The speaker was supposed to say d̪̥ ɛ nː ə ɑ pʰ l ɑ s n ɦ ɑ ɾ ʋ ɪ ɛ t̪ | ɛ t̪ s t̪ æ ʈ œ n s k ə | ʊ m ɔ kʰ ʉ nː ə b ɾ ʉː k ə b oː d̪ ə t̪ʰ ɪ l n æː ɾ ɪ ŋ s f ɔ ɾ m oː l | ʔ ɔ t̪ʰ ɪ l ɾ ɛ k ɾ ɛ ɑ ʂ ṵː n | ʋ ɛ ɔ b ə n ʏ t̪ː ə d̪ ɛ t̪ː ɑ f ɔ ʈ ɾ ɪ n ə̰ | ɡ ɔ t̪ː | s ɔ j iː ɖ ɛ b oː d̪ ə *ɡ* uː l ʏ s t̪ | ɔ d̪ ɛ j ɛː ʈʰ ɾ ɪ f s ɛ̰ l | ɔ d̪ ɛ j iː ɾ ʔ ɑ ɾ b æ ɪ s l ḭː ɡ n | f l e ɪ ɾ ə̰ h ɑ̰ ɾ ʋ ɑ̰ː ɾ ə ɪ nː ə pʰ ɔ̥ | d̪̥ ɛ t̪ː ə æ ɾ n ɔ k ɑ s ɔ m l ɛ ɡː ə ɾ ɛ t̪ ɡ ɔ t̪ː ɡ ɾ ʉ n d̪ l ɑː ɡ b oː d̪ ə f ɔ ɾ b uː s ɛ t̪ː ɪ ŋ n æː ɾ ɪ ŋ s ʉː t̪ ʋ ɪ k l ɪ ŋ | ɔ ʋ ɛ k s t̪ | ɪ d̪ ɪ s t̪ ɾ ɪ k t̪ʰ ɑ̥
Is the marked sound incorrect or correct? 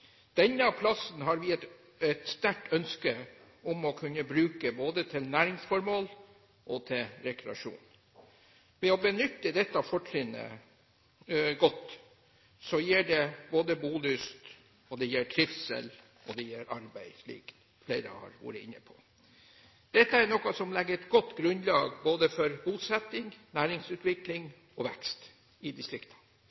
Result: incorrect: b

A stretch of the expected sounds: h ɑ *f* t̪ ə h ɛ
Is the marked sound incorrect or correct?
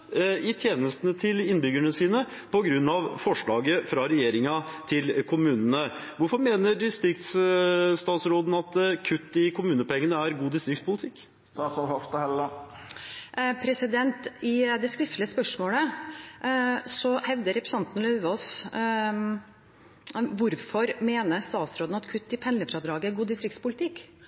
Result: correct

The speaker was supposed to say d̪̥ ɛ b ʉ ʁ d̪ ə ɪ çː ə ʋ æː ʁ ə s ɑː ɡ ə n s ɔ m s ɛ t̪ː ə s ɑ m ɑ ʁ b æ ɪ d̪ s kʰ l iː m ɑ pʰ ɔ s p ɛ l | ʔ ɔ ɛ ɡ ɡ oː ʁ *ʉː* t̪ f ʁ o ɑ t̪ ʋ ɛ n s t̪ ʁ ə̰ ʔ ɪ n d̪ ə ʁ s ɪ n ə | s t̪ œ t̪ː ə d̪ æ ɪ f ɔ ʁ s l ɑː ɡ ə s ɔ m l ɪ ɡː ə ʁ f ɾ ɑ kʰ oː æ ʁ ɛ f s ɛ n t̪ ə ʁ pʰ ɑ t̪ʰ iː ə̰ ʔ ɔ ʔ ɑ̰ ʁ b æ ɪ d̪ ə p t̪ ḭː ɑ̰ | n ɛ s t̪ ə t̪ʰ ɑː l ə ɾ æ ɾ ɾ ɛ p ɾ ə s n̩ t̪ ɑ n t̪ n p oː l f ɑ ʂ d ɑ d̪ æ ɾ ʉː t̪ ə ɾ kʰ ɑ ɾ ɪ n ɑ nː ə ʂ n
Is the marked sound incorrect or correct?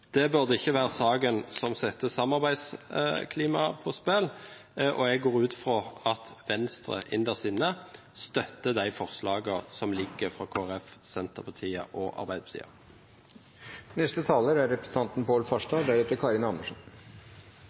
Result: correct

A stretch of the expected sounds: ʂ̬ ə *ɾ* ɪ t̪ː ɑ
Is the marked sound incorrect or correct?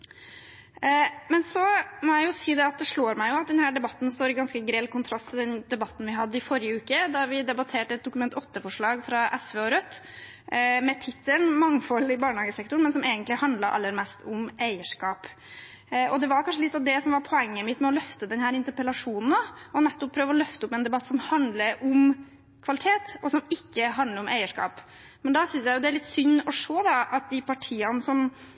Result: incorrect: l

